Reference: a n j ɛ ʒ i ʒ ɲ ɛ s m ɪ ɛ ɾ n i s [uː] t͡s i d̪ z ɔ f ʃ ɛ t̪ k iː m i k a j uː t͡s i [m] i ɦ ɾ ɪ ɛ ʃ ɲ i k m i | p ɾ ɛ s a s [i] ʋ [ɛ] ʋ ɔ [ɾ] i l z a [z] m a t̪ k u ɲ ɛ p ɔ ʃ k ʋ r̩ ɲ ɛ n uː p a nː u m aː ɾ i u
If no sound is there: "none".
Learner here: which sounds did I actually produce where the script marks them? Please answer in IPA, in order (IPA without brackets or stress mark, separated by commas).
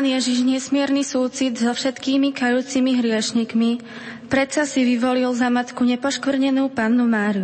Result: uː, m, i, i, l, none